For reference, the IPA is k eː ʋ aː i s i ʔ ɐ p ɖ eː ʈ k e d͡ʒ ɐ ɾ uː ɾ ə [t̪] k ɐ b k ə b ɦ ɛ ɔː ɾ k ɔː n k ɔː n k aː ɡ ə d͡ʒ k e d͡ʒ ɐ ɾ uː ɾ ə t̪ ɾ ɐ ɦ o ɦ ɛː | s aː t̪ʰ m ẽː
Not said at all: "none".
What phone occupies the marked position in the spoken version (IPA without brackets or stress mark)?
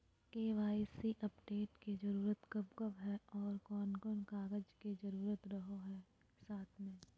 t̪